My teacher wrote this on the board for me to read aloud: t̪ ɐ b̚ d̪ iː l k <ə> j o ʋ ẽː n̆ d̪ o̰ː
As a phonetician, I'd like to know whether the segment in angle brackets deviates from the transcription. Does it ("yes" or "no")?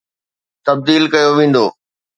yes